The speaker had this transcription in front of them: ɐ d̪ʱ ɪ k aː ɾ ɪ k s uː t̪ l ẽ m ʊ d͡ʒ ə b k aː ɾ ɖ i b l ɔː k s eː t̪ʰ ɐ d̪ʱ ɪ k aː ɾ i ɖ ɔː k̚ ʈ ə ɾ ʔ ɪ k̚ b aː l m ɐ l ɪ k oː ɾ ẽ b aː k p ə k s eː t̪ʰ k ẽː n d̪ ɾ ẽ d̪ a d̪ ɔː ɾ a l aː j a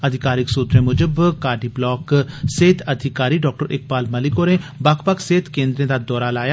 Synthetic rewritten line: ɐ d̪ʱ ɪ k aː ɾ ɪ k s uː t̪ ɾ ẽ m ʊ d͡ʒ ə b k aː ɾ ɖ i b l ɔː k s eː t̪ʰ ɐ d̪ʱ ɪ k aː ɾ i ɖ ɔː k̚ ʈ ə ɾ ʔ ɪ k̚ b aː l m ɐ l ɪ k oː ɾ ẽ b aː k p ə k s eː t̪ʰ k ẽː n d̪ ɾ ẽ d̪ a d̪ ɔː ɾ a l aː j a

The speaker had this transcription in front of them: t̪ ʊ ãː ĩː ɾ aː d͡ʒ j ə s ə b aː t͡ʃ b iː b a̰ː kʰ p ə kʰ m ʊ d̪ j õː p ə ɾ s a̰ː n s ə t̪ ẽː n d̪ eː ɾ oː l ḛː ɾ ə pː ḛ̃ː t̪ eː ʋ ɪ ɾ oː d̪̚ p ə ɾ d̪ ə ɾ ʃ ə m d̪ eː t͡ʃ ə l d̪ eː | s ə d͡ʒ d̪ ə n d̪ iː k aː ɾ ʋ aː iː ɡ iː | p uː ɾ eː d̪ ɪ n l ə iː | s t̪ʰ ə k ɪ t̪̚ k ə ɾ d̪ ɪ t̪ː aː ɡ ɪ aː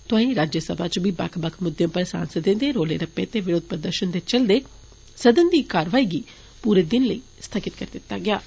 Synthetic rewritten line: t̪ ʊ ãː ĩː ɾ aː d͡ʒ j ə s ə b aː t͡ʃ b iː b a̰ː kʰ b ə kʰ m ʊ d̪ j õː p ə ɾ s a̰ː n s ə d̪ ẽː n d̪ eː ɾ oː l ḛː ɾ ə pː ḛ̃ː t̪ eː ʋ ɪ ɾ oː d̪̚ p ə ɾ d̪ ə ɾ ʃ ə n d̪ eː t͡ʃ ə l d̪ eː | s ə d̪ ə n d̪ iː k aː ɾ ʋ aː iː ɡ iː | p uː ɾ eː d̪ ɪ n l ə iː | s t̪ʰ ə k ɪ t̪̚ k ə ɾ d̪ ɪ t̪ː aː ɡ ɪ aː

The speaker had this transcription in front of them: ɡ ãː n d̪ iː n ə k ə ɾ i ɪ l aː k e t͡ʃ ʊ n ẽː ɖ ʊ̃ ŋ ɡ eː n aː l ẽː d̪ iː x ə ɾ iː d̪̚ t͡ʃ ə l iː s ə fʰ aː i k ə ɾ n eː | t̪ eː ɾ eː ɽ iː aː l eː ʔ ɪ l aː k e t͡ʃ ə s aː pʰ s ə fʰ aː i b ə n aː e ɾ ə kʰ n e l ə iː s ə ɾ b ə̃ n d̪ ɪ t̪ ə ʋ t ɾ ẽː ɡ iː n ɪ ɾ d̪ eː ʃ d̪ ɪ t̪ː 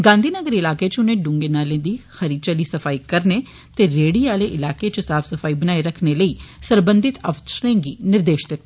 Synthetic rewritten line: ɡ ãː n d̪ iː n ə ɡ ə ɾ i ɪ l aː k e t͡ʃ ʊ n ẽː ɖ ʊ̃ ŋ ɡ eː n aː l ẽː d̪ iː x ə ɾ iː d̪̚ t͡ʃ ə l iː s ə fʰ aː i k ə ɾ n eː | t̪ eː ɾ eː ɽ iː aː l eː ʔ ɪ l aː k e t͡ʃ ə s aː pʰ s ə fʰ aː i b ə n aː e ɾ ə kʰ n e l ə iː s ə ɾ b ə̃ n d̪ ɪ t̪ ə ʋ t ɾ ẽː ɡ iː n ɪ ɾ d̪ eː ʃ d̪ ɪ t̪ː

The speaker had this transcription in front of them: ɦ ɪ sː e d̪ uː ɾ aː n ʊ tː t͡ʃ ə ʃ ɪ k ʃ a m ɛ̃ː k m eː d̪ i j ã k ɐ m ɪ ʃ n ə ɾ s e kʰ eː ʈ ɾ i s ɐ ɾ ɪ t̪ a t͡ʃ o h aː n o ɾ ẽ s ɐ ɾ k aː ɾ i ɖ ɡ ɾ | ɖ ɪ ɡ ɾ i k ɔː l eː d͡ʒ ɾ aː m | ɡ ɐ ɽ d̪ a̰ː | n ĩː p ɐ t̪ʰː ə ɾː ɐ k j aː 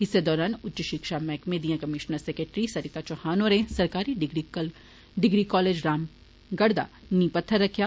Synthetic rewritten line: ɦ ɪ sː e d̪ ɔː ɾ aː n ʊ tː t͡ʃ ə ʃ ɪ k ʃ a m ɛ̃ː k m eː d̪ i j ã k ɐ m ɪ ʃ n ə ɾ s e k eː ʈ ɾ i s ɐ ɾ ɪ t̪ a t͡ʃ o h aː n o ɾ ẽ s ɐ ɾ k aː ɾ i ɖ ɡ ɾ | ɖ ɪ ɡ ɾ i k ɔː l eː d͡ʒ ɾ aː m | ɡ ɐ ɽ d̪ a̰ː | n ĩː p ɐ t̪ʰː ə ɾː ɐ kʰ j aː

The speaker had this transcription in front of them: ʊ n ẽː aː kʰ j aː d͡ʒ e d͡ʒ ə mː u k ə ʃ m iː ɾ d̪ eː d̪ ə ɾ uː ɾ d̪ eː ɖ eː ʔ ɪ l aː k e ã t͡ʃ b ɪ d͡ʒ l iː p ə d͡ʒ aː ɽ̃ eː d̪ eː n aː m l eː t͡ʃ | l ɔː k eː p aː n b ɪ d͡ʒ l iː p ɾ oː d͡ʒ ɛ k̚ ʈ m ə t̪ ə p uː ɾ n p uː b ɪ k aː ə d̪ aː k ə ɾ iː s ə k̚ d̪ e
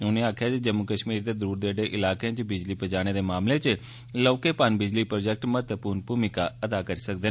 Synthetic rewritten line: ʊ n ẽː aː kʰ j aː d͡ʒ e d͡ʒ ə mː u k ə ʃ m iː ɾ d̪ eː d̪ ə ɾ uː ɾ d̪ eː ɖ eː ʔ ɪ l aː k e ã t͡ʃ b ɪ d͡ʒ l iː p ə d͡ʒ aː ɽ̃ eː d̪ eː m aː m l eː t͡ʃ | l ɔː k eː p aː n b ɪ d͡ʒ l iː p ɾ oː d͡ʒ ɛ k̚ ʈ m ə t̪ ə p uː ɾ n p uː m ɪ k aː ə d̪ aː k ə ɾ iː s ə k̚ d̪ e

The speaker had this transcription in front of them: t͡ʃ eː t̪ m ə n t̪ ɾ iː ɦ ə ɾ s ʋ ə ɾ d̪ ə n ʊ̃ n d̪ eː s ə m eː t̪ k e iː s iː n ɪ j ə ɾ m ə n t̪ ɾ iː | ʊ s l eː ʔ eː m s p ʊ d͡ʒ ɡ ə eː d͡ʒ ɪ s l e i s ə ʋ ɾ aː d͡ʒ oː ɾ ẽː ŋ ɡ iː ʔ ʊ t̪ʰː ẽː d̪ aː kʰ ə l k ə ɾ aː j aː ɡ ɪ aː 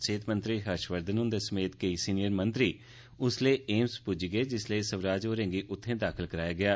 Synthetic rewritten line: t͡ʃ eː t̪ m ə n t̪ ɾ iː ɦ ə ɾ ʃ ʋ ə ɾ d̪ ə n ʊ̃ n d̪ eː s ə m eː t̪ k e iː s iː n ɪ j ə ɾ m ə n t̪ ɾ iː | ʊ s l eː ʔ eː m s p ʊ d͡ʒ ɡ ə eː d͡ʒ ɪ s l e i s ə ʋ ɾ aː d͡ʒ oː ɾ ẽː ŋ ɡ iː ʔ ʊ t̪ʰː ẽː d̪ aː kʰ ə l k ə ɾ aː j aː ɡ ɪ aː

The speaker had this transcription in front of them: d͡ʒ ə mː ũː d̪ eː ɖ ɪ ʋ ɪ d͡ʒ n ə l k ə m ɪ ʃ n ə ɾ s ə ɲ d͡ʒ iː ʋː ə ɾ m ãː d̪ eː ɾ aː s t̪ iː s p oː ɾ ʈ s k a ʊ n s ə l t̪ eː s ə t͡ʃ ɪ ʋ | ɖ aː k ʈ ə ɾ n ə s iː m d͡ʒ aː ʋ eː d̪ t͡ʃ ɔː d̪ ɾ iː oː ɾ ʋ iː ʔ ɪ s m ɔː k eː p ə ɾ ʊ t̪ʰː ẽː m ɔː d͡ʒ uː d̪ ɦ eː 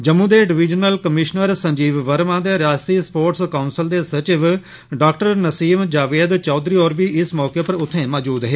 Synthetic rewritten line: d͡ʒ ə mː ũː d̪ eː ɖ ɪ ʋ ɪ d͡ʒ n ə l k ə m ɪ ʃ n ə ɾ s ə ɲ d͡ʒ iː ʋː ə ɾ m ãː d̪ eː ɾ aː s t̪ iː s p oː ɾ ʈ s k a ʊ n s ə l d̪ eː s ə t͡ʃ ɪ ʋ | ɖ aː k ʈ ə ɾ n ə s iː m d͡ʒ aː ʋ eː d̪ t͡ʃ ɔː d̪ ɾ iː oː ɾ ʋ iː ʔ ɪ s m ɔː k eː p ə ɾ ʊ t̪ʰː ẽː m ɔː d͡ʒ uː d̪ ɦ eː

